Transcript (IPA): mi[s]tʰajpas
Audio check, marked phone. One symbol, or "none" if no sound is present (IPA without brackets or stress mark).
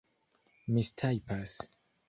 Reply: s